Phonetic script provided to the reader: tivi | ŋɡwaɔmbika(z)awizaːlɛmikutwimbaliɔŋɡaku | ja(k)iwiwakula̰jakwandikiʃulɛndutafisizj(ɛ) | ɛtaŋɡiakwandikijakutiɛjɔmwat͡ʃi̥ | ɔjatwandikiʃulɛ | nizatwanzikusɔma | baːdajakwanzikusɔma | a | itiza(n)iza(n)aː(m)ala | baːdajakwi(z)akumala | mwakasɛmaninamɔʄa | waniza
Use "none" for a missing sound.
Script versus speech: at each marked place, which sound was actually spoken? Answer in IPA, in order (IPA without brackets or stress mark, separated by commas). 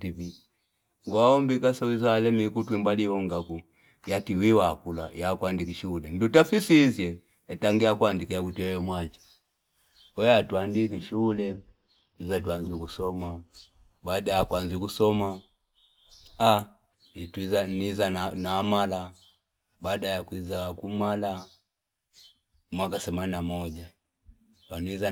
s, t, ɛ, n, n, m, z